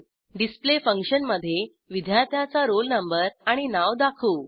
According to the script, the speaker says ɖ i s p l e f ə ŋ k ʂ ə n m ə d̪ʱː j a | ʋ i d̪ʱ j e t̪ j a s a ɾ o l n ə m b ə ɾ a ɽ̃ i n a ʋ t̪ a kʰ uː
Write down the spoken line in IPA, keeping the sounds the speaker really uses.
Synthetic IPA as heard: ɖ i s p l e f ə ŋ k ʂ ə n m ə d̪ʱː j e | ʋ i d̪ʱ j a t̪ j a t͡s a ɾ o l n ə m b ə ɾ a ɽ̃ i n a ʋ d̪ a kʰ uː